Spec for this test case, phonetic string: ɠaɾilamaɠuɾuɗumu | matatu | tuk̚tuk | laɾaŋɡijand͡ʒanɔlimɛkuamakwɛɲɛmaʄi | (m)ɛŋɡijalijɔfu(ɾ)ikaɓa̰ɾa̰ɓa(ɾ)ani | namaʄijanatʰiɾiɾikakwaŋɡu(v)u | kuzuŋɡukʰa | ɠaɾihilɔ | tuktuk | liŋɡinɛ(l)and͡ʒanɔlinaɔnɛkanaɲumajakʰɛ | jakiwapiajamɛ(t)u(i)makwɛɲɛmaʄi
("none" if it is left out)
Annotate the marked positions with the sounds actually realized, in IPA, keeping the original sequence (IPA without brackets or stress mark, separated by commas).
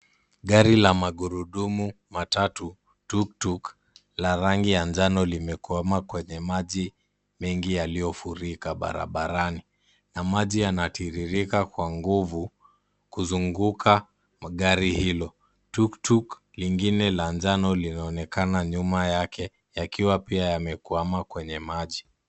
m, ɾ, ɾ, v, l, k, a